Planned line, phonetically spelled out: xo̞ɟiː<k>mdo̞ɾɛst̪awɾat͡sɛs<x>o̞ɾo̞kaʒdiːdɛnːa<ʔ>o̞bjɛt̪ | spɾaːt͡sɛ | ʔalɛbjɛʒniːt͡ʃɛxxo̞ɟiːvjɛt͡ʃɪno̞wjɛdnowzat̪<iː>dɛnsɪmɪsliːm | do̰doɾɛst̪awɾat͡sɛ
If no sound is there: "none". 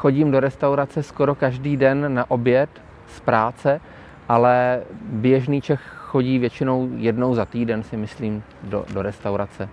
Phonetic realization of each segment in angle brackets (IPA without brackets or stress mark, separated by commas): none, k, ʔ, iː